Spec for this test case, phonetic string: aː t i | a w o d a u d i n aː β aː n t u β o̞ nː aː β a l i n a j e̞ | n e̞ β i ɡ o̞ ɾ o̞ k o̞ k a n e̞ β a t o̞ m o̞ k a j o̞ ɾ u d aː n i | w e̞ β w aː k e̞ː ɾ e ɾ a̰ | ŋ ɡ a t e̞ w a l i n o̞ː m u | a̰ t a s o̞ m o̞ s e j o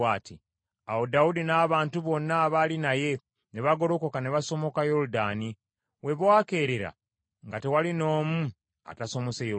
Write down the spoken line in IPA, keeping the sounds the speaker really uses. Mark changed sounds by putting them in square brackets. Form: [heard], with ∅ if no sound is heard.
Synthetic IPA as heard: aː t i | a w o d a u d i n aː β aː n t u β o̞ nː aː β a l i n a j e̞ | n e̞ β [a] ɡ o̞ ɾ o̞ k o̞ k a n e̞ β a [s] o̞ m o̞ k a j o̞ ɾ u d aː n i | w e̞ β w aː k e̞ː ɾ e ɾ a̰ | ŋ ɡ a t e̞ w a l i n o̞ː m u | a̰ t a s o̞ m o̞ s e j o